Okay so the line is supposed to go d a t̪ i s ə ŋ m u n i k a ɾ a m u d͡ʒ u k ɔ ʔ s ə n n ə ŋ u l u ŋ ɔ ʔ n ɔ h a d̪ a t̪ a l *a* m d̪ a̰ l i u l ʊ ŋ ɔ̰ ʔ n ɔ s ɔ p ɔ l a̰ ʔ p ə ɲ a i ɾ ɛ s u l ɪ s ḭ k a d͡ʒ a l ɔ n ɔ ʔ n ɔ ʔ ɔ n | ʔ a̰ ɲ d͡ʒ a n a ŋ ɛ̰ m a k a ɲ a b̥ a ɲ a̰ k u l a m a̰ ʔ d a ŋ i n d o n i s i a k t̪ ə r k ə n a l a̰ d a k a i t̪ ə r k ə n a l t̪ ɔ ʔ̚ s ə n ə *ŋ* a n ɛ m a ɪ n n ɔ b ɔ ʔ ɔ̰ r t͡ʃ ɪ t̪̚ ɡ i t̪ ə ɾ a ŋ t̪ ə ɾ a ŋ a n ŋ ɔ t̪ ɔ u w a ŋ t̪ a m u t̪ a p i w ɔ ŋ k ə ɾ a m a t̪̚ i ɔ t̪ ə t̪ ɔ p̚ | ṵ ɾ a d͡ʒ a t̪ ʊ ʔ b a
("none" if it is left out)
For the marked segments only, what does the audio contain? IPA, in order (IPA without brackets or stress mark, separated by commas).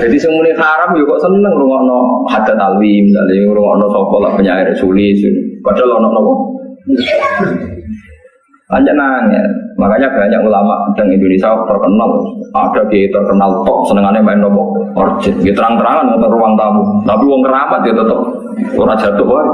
i, ŋ